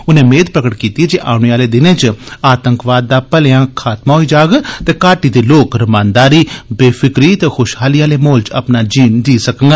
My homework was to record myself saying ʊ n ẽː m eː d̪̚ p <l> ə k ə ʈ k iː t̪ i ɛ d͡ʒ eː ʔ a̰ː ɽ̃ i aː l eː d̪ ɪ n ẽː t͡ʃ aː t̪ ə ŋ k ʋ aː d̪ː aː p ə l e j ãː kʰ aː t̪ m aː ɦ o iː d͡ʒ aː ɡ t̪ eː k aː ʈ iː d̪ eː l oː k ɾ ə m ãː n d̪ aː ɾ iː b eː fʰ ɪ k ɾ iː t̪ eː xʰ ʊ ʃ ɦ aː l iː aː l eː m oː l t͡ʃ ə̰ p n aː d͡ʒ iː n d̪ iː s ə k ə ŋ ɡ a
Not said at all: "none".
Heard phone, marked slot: ɾ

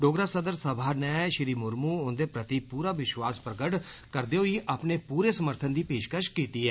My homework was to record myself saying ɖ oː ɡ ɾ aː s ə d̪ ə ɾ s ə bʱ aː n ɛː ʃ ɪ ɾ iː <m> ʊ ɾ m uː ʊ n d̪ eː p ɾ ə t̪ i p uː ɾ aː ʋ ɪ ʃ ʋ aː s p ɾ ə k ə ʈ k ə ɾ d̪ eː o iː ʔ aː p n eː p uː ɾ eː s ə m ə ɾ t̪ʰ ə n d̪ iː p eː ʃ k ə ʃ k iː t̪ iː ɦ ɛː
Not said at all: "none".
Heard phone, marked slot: m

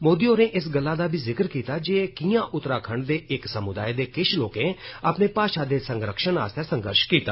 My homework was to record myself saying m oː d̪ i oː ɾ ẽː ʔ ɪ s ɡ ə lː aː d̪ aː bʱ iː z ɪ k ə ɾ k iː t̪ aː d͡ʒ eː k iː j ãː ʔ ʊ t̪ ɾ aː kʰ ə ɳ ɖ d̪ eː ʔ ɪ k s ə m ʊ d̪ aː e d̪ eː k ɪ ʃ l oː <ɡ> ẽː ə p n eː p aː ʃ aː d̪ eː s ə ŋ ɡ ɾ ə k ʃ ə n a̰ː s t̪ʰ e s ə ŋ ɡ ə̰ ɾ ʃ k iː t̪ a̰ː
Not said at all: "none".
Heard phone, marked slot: k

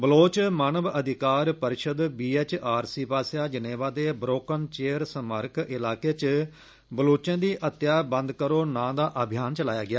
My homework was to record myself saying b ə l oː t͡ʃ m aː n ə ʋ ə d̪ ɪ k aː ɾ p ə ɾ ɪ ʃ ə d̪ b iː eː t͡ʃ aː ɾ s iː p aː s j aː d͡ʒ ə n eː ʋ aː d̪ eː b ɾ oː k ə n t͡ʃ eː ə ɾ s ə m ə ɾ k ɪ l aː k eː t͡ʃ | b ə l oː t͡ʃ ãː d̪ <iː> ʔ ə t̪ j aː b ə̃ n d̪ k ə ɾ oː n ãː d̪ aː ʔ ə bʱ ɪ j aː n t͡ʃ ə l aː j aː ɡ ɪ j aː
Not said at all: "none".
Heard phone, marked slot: iː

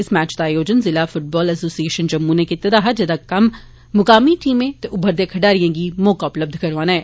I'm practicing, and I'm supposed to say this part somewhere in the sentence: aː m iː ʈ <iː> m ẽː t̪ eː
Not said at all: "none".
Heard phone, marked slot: iː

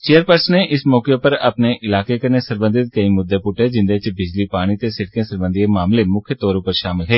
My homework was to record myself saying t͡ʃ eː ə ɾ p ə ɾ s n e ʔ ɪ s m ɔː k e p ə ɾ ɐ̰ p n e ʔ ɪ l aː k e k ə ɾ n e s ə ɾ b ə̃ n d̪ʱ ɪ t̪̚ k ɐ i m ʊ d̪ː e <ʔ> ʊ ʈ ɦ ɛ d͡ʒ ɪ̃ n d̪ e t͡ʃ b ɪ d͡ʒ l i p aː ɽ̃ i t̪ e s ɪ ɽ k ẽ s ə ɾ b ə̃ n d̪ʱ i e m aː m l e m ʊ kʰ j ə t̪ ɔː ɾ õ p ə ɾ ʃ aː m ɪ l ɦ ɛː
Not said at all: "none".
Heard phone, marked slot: p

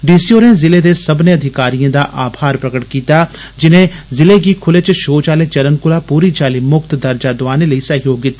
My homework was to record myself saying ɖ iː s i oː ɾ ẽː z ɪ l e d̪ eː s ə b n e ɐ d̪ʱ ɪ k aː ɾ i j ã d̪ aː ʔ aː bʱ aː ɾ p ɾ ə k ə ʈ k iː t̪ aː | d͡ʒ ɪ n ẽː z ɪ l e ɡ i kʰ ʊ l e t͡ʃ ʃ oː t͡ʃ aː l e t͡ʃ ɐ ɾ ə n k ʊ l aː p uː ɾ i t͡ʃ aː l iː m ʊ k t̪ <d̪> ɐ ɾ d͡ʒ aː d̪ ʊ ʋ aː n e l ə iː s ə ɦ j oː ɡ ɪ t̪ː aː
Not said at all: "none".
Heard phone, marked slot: d̪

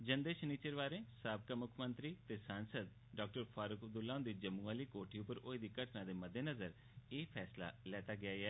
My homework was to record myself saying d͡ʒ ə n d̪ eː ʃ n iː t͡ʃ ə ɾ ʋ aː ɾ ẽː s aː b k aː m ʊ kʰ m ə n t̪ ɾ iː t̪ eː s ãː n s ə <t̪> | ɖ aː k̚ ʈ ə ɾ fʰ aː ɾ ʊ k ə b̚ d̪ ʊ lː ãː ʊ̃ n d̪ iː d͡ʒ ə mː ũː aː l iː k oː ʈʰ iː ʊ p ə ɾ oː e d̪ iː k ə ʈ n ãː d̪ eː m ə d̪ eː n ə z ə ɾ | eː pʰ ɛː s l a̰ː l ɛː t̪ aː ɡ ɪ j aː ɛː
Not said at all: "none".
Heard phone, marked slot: d̪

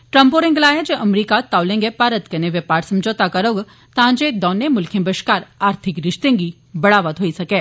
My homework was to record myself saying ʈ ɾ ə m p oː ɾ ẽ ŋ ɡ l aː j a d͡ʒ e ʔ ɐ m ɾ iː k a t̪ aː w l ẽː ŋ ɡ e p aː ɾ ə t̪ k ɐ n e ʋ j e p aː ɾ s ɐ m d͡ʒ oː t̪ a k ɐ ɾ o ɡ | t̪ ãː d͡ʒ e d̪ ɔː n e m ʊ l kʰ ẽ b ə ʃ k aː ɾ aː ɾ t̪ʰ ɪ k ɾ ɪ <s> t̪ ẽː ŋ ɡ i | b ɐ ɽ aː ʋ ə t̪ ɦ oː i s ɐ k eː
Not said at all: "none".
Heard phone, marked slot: ʃ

